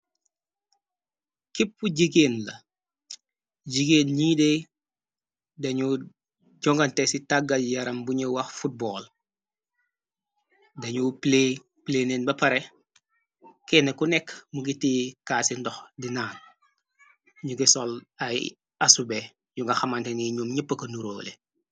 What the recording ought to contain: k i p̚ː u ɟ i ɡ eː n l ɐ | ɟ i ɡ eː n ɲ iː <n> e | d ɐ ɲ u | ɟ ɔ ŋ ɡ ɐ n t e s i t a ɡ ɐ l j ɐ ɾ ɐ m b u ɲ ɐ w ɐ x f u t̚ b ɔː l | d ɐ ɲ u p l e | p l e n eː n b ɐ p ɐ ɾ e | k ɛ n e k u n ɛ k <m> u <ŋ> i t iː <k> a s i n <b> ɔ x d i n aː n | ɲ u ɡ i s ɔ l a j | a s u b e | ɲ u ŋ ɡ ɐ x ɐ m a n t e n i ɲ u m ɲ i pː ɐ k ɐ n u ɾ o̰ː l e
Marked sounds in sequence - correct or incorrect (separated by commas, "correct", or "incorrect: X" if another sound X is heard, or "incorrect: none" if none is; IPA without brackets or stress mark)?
incorrect: d, correct, incorrect: ɡ, correct, incorrect: d